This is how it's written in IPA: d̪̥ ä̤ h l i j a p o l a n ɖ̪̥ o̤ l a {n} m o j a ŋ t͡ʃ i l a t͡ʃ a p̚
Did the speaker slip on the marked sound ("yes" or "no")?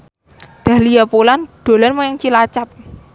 no